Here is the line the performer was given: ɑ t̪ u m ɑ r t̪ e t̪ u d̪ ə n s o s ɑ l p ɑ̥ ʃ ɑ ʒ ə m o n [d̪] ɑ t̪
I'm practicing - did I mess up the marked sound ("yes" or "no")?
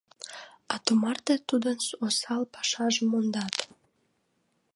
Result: no